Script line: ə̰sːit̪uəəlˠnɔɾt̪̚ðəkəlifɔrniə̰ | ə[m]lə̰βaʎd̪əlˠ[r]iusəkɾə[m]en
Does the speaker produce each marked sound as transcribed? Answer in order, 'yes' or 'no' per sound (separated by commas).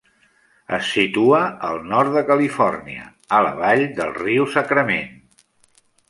no, yes, yes